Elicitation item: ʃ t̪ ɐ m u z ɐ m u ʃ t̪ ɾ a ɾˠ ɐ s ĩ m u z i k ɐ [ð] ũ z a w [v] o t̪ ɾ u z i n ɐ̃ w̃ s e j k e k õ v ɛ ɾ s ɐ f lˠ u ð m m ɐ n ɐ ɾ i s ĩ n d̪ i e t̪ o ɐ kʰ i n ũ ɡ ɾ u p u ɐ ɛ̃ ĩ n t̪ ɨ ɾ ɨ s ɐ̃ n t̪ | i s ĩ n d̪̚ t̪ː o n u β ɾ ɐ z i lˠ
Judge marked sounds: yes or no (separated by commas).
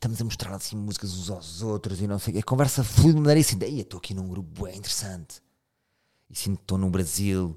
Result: no, no